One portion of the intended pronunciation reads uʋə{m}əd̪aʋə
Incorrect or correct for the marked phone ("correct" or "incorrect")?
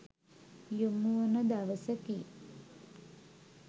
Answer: incorrect